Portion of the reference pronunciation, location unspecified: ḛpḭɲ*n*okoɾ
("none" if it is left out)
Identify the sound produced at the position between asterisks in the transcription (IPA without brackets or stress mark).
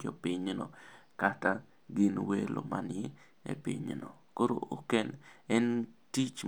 n